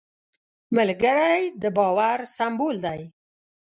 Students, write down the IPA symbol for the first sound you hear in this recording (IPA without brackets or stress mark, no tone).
m